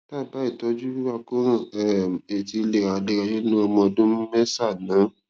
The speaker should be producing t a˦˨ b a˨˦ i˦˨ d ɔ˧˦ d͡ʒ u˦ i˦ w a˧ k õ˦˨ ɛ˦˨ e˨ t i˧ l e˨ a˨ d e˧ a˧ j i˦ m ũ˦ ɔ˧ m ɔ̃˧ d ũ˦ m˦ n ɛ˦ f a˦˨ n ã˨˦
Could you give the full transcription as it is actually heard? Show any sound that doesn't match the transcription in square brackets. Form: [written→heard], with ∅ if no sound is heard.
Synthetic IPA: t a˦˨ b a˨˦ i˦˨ [d→t] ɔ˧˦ d͡ʒ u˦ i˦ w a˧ k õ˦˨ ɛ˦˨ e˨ t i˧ l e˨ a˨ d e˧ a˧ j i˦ [m→n] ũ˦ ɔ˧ m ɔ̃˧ d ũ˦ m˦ [n→m] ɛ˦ [f→s] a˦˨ n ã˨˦